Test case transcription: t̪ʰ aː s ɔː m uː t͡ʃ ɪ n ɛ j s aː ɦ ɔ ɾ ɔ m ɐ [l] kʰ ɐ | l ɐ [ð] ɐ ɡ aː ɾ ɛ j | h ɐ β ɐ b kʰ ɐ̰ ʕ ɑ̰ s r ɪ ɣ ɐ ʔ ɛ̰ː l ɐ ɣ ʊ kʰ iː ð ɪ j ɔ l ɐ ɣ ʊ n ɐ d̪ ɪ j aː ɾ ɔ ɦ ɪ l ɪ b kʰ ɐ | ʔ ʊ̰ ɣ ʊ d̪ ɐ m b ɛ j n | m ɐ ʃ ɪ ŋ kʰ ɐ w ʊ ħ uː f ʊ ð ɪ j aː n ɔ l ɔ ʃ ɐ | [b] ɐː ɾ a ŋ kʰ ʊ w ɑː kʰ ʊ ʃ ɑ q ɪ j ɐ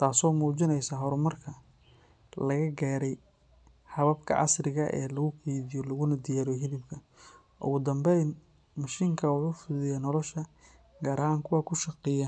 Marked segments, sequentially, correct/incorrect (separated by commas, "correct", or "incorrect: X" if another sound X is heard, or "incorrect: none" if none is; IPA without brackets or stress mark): incorrect: r, incorrect: ɣ, incorrect: ɡ